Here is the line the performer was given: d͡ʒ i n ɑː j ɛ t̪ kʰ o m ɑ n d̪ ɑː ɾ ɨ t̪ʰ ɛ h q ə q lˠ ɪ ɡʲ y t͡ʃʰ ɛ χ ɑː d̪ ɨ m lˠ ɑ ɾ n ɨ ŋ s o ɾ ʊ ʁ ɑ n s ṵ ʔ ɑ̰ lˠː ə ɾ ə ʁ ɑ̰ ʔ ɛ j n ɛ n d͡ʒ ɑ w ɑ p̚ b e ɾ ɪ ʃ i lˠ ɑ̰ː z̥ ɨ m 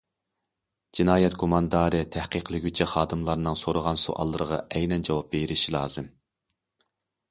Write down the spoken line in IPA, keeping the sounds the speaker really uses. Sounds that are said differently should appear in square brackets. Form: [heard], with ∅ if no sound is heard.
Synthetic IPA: d͡ʒ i n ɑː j ɛ t̪ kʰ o m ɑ n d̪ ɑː ɾ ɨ t̪ʰ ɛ h q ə q lˠ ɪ ɡʲ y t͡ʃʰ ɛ χ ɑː d̪ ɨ m lˠ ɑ ɾ n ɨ ŋ s o ɾ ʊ ʁ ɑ n s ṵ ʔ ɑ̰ lˠː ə ɾ ə ʁ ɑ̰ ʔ ɛ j n ɛ n d͡ʒ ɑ w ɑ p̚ b e ɾ ɪ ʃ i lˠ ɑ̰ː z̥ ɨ m